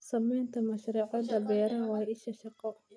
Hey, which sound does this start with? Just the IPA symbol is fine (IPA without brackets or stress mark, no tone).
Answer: s